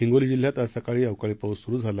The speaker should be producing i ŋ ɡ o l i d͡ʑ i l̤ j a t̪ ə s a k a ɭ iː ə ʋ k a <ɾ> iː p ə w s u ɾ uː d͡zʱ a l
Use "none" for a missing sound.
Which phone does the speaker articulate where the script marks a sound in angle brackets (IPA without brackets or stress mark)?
ɭ